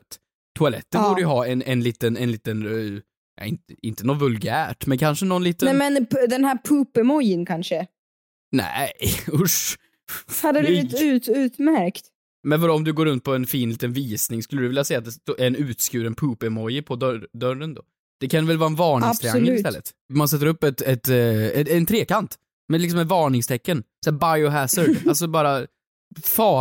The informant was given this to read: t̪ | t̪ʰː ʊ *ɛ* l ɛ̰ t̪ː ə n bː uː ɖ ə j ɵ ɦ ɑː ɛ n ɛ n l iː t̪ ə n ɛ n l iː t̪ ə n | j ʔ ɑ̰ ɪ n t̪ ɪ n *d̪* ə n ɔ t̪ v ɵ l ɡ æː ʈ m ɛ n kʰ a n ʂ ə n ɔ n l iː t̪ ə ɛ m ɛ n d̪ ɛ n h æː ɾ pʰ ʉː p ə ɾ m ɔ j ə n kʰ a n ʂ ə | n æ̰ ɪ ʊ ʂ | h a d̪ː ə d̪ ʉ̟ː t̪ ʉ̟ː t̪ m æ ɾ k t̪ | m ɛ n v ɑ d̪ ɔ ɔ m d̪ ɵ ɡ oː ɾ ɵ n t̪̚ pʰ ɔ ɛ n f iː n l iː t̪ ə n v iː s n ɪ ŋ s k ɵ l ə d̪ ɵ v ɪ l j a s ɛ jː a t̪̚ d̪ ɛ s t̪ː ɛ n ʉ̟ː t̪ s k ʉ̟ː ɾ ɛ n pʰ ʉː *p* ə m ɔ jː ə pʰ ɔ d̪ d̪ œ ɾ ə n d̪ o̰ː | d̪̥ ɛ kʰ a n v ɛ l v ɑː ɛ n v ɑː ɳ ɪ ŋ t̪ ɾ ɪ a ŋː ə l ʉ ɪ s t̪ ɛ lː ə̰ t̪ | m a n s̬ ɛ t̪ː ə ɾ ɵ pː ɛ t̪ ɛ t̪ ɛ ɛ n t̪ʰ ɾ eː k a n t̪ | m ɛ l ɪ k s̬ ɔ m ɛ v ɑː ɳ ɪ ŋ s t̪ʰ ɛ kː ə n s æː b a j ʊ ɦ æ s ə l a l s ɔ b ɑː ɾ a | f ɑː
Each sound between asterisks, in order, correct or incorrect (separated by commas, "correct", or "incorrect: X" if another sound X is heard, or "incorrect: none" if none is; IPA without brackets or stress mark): incorrect: a, incorrect: t̪, correct